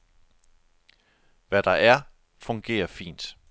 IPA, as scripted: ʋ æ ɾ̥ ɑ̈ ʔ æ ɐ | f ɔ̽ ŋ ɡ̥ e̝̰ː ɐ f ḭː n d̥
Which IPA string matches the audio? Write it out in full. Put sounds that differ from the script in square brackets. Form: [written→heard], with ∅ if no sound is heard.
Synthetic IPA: ʋ æ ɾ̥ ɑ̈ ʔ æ ɐ | f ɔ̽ ŋ ɡ̥ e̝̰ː ɐ f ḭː n d̥